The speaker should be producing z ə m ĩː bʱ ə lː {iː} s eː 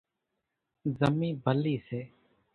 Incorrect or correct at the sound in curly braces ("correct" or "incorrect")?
correct